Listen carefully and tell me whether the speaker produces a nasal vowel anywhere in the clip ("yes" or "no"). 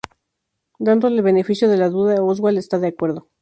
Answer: no